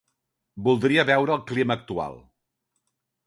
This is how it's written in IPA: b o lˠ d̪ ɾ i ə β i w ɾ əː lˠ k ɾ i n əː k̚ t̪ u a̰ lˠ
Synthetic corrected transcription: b u lˠ d̪ ɾ i ə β ɛ w ɾ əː lˠ k l i m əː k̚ t̪ u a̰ lˠ